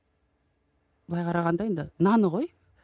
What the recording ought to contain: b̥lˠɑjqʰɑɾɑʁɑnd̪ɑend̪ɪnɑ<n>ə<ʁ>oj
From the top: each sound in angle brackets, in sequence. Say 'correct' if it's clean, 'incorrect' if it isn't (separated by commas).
correct, correct